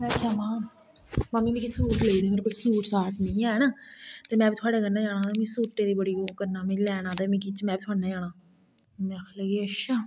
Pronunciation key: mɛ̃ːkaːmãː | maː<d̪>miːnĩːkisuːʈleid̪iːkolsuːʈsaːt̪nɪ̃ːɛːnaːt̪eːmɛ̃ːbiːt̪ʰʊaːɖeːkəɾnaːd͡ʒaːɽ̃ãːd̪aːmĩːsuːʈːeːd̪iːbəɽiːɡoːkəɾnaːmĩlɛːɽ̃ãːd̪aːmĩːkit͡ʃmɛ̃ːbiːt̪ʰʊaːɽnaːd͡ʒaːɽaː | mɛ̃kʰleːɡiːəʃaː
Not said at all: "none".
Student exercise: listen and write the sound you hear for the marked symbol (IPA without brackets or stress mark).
none